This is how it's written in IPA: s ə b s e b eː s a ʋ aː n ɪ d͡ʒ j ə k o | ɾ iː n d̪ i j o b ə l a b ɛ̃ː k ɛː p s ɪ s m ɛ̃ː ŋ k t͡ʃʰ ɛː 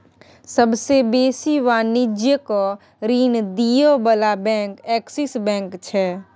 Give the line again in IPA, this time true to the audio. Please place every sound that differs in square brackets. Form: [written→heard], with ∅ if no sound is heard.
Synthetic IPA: s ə b s e b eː s [a→i] ʋ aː n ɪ d͡ʒ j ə k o | ɾ iː n d̪ i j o b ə l a b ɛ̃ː k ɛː [p→k] s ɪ s [m→b] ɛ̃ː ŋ k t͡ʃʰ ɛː